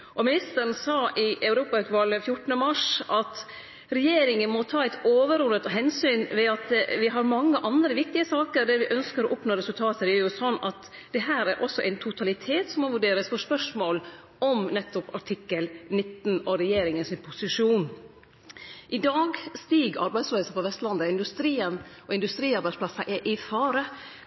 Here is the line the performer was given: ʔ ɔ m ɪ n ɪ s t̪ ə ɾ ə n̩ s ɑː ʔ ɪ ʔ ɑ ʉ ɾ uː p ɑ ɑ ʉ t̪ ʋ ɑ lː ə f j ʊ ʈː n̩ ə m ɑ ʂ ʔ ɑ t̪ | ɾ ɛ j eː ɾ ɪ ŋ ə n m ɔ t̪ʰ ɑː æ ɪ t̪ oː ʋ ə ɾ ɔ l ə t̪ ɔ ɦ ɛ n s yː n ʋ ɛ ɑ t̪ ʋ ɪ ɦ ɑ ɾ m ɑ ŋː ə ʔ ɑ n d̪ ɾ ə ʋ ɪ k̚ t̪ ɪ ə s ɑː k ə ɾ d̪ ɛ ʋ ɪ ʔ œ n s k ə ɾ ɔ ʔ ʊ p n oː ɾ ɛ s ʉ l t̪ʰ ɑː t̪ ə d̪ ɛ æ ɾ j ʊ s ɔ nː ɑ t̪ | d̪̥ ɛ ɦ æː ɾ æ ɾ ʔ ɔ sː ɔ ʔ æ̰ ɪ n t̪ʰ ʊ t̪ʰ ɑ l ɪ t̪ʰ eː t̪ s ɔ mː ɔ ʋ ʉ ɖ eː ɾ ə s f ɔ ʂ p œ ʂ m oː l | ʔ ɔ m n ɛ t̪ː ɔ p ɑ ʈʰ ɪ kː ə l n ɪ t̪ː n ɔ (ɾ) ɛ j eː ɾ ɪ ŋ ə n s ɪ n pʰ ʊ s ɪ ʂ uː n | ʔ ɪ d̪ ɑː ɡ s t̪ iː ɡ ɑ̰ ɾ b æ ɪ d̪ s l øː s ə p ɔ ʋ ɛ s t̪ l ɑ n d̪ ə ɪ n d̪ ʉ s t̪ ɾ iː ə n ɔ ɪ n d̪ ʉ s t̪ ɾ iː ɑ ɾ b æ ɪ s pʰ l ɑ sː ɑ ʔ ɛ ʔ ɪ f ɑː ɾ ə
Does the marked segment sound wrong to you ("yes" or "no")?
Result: no